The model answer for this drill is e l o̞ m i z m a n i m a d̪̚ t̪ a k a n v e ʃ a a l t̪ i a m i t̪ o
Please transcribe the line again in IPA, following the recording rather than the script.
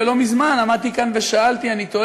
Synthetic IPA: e l o̞ m i z m a n a m a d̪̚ t̪ i k a n v e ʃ a a l t̪ i a n i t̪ o